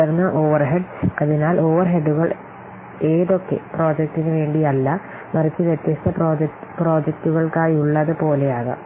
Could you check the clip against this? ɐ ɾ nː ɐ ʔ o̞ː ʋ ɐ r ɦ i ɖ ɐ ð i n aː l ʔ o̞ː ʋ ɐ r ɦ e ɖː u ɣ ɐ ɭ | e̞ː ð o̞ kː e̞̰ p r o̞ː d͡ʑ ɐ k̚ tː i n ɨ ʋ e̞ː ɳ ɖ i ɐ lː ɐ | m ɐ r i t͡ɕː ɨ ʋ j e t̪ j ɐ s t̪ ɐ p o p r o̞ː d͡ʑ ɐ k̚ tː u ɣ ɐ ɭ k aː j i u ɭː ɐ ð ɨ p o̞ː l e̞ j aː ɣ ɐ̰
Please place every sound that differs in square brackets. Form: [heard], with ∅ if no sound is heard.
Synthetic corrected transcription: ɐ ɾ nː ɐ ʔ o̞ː ʋ ɐ r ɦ [e] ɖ ɐ ð i n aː l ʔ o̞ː ʋ ɐ r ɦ e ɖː u ɣ ɐ ɭ | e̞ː ð o̞ kː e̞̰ p r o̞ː d͡ʑ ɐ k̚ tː i n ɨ ʋ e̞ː ɳ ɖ i ɐ lː ɐ | m ɐ r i t͡ɕː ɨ ʋ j e t̪ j ɐ s t̪ ɐ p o p r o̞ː d͡ʑ ɐ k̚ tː u ɣ ɐ ɭ k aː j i u ɭː ɐ ð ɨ p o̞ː l e̞ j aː ɣ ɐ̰

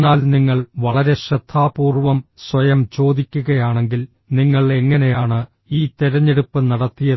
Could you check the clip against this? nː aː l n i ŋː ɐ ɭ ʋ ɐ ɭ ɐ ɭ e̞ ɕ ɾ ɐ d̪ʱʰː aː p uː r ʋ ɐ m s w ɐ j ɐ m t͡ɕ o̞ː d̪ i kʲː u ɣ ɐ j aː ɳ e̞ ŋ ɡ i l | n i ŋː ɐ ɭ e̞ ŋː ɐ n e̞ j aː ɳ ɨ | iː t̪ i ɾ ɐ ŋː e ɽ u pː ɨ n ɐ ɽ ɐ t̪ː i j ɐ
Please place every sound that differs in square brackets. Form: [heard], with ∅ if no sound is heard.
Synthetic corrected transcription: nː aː l n i ŋː ɐ ɭ ʋ ɐ ɭ ɐ [ɾ] e̞ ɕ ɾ ɐ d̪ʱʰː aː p uː r ʋ ɐ m s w ɐ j ɐ m t͡ɕ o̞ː d̪ i kʲː u ɣ ɐ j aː ɳ e̞ ŋ ɡ i l | n i ŋː ɐ ɭ e̞ ŋː ɐ n e̞ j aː ɳ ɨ | iː t̪ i ɾ ɐ [ɲː] e ɽ u pː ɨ n ɐ ɽ ɐ t̪ː i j ɐ

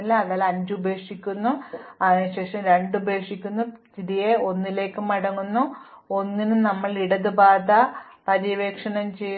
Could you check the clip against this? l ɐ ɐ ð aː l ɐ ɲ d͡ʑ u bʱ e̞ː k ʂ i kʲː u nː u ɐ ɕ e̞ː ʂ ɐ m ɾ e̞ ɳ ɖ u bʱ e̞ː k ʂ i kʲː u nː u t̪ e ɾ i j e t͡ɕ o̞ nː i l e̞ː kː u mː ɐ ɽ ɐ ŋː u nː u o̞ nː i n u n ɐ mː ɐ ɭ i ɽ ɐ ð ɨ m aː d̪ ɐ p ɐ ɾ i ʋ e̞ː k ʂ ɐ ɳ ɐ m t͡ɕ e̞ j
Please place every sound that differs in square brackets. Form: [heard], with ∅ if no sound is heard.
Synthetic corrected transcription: l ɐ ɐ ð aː l ɐ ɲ d͡ʑ u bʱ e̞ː k ʂ i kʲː u nː u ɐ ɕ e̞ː ʂ ɐ m ɾ e̞ ɳ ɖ u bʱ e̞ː k ʂ i kʲː u nː u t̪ [i] ɾ i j e [∅] o̞ nː i l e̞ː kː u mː ɐ ɽ ɐ ŋː u nː u o̞ nː i n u n ɐ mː ɐ ɭ i ɽ ɐ ð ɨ [b] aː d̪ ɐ p ɐ ɾ i ʋ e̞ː k ʂ ɐ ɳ ɐ m t͡ɕ e̞ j

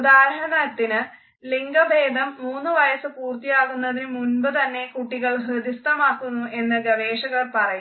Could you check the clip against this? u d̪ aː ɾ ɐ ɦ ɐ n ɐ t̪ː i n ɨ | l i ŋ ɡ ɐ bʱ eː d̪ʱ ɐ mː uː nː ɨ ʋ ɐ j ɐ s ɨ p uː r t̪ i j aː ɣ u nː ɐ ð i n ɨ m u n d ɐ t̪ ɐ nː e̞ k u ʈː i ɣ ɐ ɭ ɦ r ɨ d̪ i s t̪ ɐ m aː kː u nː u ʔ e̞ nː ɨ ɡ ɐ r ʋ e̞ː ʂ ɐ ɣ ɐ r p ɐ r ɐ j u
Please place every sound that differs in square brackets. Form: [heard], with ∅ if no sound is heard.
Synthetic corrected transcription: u d̪ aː ɾ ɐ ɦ ɐ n ɐ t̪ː i n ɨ | l i ŋ ɡ ɐ bʱ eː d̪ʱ ɐ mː uː nː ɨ ʋ ɐ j ɐ s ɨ p uː r t̪ i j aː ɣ u nː ɐ ð i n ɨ m u n [b] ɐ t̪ ɐ nː e̞ k u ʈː i ɣ ɐ ɭ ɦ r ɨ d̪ i s t̪ ɐ m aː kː u nː u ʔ e̞ nː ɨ ɡ ɐ [∅] ʋ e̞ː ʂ ɐ ɣ ɐ r p ɐ r ɐ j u

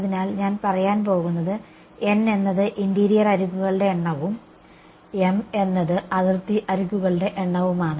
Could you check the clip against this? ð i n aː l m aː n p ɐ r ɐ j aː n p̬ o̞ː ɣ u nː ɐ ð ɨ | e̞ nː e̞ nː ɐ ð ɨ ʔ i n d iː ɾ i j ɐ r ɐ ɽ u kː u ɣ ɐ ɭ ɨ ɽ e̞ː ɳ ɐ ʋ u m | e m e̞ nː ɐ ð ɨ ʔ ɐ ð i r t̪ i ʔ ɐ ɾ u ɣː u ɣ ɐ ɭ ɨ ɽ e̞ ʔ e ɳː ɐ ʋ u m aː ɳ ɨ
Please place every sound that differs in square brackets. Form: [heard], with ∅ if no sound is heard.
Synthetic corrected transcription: ð i n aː l [ɲ] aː n p ɐ r ɐ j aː n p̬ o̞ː ɣ u nː ɐ ð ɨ | e̞ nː e̞ nː ɐ ð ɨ ʔ i n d iː ɾ i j ɐ r ɐ [ɾ] u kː u ɣ ɐ ɭ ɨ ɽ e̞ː [ɳː] ɐ ʋ u m | e m e̞ nː ɐ ð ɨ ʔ ɐ ð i r t̪ i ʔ ɐ ɾ u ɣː u ɣ ɐ ɭ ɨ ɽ e̞ ʔ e ɳː ɐ ʋ u m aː ɳ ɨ

